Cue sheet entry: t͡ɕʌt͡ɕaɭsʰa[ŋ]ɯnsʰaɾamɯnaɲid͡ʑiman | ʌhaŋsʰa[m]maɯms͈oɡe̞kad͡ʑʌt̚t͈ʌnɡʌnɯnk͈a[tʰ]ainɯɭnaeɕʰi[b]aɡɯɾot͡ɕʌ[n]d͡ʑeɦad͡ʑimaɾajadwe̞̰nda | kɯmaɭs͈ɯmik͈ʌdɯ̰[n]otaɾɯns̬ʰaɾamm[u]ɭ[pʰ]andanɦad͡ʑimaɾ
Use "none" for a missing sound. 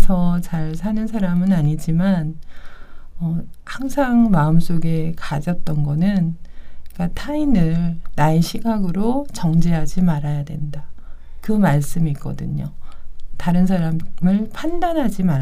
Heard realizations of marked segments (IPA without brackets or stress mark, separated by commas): n, ŋ, tʰ, ɡ, ŋ, ɲ, ɯ, pʰ